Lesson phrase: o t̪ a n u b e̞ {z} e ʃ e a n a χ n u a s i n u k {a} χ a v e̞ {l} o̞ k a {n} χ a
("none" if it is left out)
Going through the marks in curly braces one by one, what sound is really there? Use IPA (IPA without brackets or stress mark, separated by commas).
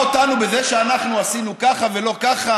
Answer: z, a, l, none